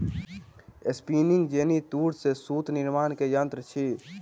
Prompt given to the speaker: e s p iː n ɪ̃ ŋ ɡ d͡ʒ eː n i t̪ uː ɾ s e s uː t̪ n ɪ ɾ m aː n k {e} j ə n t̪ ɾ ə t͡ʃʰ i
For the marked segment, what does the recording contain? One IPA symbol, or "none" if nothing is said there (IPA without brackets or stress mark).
e